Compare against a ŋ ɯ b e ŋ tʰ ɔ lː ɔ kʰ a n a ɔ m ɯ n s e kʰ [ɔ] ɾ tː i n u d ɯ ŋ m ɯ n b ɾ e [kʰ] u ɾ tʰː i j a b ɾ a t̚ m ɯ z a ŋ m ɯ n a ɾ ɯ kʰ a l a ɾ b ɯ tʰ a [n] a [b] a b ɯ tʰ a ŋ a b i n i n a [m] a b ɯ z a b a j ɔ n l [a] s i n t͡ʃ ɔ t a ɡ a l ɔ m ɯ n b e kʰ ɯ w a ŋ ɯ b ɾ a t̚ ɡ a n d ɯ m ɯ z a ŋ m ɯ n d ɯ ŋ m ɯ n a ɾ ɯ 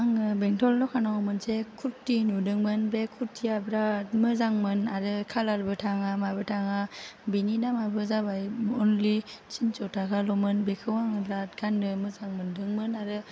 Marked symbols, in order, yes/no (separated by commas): no, yes, no, no, yes, no